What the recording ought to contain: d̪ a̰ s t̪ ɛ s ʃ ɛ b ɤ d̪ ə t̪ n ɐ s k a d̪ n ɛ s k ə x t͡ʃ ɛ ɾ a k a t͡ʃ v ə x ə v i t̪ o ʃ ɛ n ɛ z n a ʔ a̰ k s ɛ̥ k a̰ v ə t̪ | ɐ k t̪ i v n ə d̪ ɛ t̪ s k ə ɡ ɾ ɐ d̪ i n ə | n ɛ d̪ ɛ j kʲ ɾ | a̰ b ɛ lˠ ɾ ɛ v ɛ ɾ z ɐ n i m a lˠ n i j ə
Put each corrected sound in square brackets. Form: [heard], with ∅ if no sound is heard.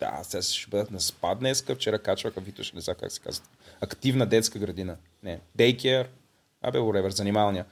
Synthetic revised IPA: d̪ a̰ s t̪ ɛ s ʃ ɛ b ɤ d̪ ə t̪ n ɐ s [p] a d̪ n ɛ s k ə [f] t͡ʃ ɛ ɾ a k a t͡ʃ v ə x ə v i t̪ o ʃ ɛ n ɛ z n a [k] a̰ k s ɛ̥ k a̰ [z] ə t̪ | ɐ k t̪ i v n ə d̪ ɛ t̪ s k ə ɡ ɾ ɐ d̪ i n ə | n ɛ d̪ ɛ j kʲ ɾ | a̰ b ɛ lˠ ɾ ɛ v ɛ ɾ z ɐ n i m a lˠ n i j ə